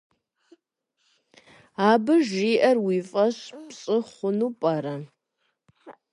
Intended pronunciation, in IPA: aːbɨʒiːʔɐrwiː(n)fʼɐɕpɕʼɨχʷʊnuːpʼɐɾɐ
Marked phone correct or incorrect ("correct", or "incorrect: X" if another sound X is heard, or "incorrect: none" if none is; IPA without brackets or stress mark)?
incorrect: none